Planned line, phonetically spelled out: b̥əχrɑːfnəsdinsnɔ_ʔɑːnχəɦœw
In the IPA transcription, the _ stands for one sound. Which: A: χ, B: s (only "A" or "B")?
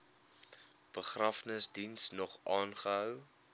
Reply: A